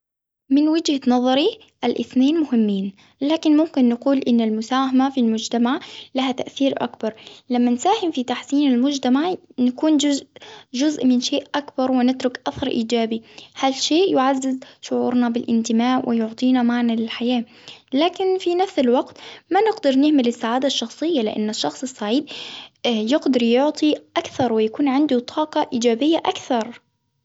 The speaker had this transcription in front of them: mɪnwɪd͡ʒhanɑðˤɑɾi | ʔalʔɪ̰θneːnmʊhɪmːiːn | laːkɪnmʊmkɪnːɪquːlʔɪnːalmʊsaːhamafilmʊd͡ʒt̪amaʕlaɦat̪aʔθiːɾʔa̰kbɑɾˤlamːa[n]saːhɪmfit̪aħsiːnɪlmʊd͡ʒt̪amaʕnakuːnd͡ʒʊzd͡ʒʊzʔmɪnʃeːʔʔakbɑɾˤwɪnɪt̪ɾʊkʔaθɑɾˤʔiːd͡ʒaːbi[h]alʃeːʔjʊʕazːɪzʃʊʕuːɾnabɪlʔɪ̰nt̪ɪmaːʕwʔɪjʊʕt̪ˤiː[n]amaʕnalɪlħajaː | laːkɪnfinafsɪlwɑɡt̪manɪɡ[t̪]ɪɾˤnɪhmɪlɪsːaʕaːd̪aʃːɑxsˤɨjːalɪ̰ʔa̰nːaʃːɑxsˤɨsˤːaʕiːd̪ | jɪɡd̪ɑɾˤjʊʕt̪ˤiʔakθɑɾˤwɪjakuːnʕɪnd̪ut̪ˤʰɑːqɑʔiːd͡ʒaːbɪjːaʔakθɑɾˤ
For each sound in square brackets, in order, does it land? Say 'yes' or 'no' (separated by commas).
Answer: yes, yes, yes, no